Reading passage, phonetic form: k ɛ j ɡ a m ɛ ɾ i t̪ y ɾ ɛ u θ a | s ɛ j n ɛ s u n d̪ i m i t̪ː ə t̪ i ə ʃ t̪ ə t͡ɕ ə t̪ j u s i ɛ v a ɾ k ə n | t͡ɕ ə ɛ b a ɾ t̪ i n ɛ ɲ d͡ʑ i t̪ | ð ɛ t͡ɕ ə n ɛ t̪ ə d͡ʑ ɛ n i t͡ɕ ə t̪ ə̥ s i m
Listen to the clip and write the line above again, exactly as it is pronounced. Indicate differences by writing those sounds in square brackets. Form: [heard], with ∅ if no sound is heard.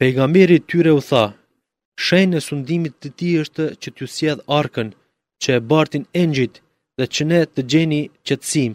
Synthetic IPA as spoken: [p] ɛ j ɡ a m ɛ ɾ i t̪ y ɾ ɛ u θ a | [ʃ] ɛ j n ɛ s u n d̪ i m i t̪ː ə t̪ i ə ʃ t̪ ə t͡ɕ ə t̪ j u s [j] ɛ [ð] a ɾ k ə n | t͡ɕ ə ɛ b a ɾ t̪ i n ɛ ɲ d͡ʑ i t̪ | ð ɛ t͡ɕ ə n ɛ t̪ ə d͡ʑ ɛ n i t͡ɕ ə t̪ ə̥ s i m